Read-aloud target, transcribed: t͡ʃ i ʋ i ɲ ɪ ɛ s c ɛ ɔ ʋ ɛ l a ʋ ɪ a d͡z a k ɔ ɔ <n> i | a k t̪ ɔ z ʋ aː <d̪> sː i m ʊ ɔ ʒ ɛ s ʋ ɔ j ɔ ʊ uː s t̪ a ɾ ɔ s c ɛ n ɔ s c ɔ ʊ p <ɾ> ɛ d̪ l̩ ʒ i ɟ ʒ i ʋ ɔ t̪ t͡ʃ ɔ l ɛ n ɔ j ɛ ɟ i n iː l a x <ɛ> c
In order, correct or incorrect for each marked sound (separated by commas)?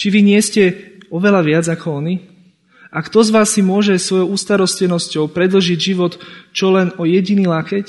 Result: correct, incorrect, correct, correct